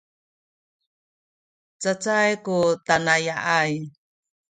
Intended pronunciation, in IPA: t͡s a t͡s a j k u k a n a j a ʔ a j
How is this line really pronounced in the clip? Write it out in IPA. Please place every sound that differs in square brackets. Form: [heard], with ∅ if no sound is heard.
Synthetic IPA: t͡s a t͡s a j k u [t] a n a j a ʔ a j